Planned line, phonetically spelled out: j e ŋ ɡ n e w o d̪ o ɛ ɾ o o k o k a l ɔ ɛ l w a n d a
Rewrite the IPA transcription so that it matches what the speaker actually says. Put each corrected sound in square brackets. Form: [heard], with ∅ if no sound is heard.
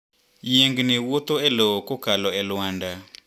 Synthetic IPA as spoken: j e ŋ ɡ n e w o [t̪] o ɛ [l] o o k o k a l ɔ ɛ l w a n d a

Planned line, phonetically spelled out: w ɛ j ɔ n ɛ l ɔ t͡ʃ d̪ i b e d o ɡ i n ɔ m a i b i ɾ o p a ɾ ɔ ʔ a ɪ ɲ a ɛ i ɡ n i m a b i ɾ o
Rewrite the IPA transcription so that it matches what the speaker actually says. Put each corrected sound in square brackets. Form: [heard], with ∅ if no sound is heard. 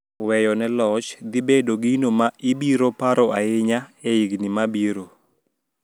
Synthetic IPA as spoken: w ɛ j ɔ n ɛ l ɔ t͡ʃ d̪ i b e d o ɡ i n [o] m a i b i ɾ o p a ɾ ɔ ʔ a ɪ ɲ a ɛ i ɡ n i m a b i ɾ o

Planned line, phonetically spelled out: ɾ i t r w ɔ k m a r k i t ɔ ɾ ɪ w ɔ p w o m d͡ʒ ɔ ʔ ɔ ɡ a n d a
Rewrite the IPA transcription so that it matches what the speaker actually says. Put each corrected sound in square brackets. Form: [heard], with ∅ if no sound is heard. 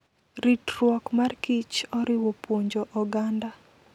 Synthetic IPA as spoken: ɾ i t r w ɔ k m a r k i [t͡ʃ] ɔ ɾ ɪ w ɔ p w o [ɲ] d͡ʒ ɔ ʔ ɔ ɡ a n d a

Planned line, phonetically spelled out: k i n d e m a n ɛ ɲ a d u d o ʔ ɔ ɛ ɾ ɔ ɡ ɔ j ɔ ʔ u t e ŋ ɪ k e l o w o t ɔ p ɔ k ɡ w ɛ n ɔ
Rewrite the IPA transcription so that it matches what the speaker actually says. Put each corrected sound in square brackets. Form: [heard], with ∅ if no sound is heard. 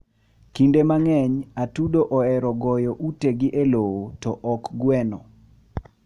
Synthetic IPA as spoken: k i n d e m a [ŋ] ɛ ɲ a [t] u d o ʔ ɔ ɛ ɾ ɔ ɡ ɔ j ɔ ʔ u t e [ɡ] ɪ [ʔ] e l o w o t ɔ [ʔ] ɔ k ɡ w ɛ n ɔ

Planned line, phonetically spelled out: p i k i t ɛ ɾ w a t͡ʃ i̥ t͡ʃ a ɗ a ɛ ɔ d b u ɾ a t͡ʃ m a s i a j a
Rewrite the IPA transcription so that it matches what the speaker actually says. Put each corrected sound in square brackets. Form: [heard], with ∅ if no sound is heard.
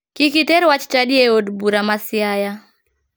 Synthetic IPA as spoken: [k] i k i t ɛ ɾ w a t͡ʃ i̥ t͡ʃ a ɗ [i] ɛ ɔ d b u ɾ a [∅] m a s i a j a

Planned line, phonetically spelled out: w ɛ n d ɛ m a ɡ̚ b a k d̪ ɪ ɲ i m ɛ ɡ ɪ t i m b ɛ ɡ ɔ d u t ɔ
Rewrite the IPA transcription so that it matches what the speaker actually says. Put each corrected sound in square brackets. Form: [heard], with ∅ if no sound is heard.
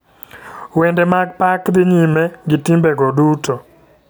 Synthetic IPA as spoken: w ɛ n d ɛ m a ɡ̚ [p] a k d̪ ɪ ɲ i m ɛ ɡ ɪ t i m b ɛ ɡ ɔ d u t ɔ

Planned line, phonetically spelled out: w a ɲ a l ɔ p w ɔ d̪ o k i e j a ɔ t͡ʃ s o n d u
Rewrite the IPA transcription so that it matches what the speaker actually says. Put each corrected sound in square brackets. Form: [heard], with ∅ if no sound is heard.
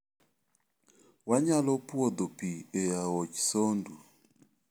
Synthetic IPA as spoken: w a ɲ a l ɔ p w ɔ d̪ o [p] i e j a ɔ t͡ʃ s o n d u

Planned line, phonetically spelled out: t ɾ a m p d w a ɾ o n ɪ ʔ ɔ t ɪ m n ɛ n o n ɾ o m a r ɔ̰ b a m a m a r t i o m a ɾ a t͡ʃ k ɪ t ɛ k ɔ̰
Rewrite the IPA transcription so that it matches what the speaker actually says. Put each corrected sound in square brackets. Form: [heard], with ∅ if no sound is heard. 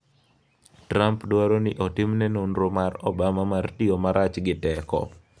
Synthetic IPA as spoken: t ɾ a m p d w a ɾ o n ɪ ʔ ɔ t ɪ m n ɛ n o n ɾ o m a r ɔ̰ b a m a m a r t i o m a ɾ a t͡ʃ [ɡ] ɪ t ɛ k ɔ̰

